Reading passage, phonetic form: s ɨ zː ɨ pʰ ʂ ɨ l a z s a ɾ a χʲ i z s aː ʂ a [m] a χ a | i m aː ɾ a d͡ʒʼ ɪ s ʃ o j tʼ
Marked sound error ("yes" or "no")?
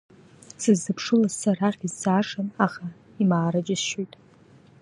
yes